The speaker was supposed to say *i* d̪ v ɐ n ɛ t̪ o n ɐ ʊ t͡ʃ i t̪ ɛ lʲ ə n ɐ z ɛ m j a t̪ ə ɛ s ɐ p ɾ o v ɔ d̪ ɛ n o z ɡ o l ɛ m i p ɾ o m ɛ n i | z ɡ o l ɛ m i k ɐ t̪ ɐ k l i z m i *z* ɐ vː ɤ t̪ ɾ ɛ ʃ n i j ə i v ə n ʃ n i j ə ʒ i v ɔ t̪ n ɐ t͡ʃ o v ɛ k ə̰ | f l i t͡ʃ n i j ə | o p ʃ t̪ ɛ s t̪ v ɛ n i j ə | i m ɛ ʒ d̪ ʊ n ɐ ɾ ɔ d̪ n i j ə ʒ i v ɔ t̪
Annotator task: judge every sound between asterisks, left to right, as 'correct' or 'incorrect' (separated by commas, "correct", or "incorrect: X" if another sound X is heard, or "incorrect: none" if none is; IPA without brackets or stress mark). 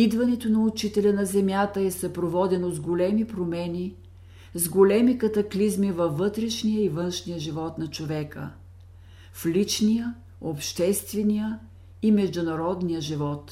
correct, incorrect: v